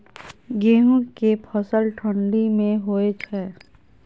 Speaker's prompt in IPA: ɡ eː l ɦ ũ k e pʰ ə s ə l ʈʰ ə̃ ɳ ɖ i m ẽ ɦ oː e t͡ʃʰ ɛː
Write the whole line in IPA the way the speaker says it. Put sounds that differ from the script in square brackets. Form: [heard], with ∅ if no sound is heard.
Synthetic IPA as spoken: ɡ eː [∅] ɦ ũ k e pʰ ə s ə l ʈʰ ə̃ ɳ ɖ i m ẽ ɦ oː e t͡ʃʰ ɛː